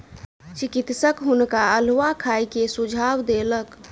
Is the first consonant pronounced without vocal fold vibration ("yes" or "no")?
yes